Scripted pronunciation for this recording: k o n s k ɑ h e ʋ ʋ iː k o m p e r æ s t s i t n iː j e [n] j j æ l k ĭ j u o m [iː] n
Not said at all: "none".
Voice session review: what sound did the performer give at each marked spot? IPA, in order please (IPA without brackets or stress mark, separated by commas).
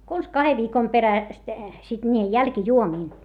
none, iː